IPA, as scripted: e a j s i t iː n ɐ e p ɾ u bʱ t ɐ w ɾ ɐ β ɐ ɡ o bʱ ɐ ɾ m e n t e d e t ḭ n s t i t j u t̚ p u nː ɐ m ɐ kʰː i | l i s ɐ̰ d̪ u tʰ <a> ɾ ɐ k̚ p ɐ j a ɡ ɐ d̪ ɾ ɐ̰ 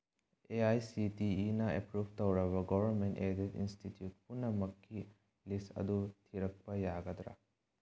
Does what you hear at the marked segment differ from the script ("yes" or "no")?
yes